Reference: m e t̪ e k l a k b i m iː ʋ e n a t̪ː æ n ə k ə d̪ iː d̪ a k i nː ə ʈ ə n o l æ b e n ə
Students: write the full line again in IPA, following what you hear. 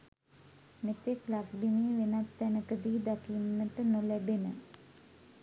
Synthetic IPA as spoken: m e t̪ e k l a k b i m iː ʋ e n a t̪ː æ n ə k ə d̪ iː d̪ a k i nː ə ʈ ə n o l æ b e n ə